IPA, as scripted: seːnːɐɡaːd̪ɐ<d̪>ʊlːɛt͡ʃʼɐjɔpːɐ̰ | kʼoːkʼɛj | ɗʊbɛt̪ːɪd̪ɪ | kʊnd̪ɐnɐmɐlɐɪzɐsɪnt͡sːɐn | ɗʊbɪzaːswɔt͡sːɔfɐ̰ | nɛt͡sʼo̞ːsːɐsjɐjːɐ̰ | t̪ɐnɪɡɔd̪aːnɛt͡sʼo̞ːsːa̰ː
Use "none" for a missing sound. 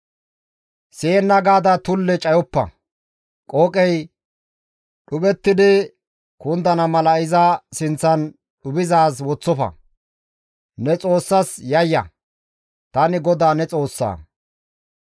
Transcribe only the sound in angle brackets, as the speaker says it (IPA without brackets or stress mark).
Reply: t̪